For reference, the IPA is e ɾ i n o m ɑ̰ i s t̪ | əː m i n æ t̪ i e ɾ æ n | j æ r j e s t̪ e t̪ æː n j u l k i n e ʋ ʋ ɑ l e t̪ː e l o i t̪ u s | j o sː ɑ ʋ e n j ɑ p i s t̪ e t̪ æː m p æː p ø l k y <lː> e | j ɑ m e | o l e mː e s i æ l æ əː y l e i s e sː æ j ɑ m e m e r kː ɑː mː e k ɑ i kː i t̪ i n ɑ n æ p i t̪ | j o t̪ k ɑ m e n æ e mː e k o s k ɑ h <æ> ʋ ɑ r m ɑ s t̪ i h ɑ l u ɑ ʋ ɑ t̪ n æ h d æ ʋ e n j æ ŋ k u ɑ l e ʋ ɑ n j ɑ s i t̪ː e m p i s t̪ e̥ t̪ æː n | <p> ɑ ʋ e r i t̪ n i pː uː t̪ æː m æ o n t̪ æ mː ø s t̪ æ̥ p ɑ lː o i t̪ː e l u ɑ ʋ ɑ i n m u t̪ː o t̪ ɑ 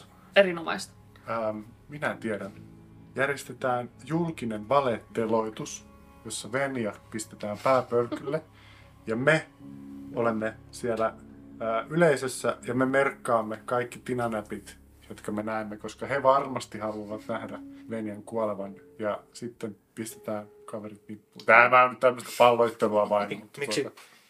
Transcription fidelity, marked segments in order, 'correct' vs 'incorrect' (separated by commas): correct, incorrect, incorrect